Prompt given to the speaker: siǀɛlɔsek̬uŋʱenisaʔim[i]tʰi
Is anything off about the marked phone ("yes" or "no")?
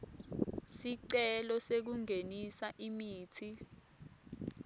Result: yes